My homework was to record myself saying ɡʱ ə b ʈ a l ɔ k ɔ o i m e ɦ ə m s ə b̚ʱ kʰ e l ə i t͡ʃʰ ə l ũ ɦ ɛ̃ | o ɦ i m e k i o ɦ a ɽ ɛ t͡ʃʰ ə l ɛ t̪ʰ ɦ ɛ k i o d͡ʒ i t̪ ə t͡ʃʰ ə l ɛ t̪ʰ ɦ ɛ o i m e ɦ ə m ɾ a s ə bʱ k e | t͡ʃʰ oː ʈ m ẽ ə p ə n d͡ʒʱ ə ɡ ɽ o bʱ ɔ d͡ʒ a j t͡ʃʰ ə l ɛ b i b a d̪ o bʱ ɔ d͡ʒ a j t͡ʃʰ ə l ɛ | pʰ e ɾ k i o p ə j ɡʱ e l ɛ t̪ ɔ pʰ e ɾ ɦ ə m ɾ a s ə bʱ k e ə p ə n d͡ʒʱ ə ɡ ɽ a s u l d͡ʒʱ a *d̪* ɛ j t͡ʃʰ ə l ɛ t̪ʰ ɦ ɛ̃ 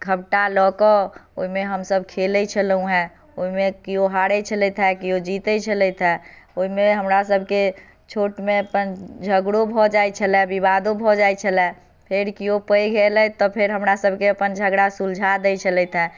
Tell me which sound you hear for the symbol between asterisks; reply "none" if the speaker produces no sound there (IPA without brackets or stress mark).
d̪